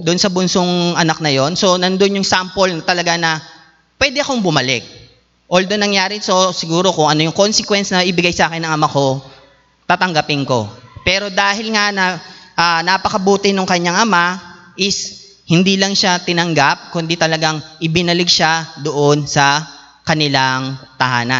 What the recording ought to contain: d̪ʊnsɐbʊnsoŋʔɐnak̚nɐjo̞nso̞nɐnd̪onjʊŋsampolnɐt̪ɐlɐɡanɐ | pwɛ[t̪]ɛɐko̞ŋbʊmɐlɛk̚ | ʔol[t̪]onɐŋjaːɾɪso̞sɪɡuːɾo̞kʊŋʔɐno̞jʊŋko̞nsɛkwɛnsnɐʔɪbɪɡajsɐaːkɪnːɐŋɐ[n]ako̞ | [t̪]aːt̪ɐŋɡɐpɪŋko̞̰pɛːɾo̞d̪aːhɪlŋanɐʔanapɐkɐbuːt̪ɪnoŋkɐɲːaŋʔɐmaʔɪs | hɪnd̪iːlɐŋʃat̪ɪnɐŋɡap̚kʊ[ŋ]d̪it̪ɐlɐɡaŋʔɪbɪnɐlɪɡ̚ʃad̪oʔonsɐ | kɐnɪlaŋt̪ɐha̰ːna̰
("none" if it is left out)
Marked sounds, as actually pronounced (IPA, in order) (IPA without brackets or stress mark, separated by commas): d̪, d̪, m, t̪, n